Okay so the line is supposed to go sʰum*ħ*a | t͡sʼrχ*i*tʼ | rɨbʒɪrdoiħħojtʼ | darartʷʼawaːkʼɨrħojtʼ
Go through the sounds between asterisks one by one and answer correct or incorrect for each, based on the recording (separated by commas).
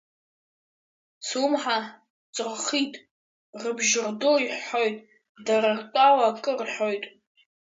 correct, correct